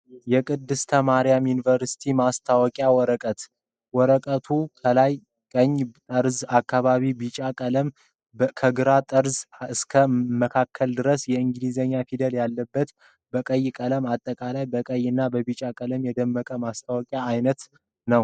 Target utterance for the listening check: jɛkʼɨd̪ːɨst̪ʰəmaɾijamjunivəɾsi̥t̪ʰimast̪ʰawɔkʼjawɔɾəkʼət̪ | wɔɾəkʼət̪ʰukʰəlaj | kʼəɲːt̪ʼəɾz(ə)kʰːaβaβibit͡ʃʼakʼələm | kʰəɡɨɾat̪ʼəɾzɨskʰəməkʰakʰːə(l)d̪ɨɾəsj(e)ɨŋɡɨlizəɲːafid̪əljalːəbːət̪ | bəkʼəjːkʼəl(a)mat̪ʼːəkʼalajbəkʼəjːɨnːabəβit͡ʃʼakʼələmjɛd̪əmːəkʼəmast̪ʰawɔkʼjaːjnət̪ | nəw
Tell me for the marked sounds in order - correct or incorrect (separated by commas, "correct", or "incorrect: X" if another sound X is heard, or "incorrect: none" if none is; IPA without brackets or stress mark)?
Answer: incorrect: a, correct, incorrect: ɛ, incorrect: ə